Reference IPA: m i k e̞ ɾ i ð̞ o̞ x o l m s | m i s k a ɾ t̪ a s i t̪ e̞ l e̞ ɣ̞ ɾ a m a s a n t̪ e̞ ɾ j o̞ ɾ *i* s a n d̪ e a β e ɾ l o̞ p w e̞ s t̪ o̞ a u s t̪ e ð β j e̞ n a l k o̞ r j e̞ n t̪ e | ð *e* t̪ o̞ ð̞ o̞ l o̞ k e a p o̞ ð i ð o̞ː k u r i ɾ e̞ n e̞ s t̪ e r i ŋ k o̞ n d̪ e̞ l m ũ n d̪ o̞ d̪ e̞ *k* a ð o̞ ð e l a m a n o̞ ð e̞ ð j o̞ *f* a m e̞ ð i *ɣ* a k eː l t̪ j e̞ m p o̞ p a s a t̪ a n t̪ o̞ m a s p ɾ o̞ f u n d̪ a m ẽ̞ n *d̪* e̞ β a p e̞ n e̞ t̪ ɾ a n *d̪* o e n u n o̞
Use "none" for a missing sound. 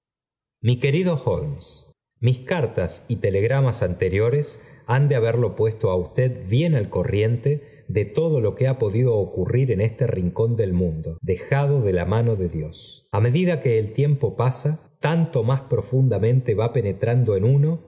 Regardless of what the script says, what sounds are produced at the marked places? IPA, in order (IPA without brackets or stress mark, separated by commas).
e, e, x, s, ð, t̪, d̪